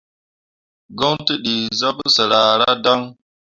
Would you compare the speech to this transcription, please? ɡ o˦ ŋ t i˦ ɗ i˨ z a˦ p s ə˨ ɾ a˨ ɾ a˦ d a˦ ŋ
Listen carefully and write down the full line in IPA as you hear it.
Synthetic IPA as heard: ɡ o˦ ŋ t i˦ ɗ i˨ z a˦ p s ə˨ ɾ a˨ ɾ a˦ d a˦ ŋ